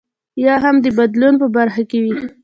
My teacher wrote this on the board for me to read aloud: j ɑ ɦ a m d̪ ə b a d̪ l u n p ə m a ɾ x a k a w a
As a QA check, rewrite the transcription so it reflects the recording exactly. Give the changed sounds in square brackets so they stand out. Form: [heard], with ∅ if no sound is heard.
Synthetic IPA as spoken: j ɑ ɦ a m d̪ ə b a d̪ l u n p ə [b] a ɾ x a k [e] w [i]